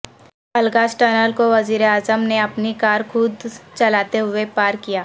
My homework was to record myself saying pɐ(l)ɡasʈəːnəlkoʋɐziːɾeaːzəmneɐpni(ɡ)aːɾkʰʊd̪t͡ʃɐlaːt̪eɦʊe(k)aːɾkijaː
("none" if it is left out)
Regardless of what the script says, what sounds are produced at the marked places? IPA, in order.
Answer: l, k, p

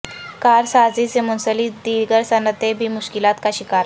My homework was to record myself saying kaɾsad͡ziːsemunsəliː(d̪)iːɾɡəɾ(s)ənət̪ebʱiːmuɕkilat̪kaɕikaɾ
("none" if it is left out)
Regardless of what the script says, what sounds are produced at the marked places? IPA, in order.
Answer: d̪, s

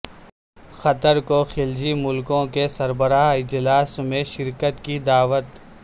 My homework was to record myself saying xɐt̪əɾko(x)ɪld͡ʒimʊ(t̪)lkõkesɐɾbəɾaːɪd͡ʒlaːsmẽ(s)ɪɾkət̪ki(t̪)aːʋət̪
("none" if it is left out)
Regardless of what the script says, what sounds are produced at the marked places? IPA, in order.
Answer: x, none, ʃ, d̪

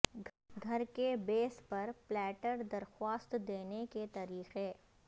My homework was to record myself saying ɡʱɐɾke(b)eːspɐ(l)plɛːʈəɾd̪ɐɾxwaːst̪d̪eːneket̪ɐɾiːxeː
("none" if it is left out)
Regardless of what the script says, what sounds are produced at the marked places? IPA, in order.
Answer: b, ɾ

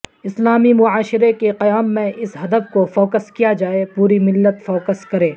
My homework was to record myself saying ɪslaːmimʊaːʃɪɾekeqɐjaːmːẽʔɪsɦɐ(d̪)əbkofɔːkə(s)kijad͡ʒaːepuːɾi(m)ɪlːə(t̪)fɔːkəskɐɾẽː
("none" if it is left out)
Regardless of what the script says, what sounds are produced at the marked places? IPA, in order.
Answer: d̪, s, m, t̪

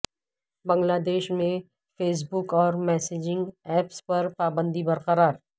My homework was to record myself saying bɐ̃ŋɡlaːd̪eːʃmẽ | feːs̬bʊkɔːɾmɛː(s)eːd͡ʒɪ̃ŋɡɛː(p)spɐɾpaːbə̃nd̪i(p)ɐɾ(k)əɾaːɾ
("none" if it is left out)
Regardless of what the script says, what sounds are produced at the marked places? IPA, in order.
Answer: s, p, b, q

